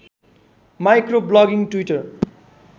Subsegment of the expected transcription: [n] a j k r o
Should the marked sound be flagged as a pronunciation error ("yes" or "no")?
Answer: yes